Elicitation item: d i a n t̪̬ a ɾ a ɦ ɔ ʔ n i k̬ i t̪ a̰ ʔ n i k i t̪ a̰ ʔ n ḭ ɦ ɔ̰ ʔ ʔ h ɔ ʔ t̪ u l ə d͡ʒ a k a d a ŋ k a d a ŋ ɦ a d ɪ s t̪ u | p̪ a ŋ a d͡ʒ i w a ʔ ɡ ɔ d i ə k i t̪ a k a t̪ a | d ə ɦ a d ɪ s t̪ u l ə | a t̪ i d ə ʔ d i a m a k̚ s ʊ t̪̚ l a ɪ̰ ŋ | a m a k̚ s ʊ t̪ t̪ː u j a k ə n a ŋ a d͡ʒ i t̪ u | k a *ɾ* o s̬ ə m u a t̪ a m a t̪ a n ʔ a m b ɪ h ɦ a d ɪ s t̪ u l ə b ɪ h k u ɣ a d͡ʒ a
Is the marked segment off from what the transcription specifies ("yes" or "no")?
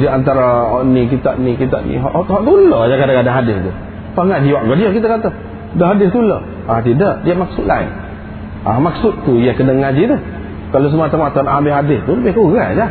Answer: yes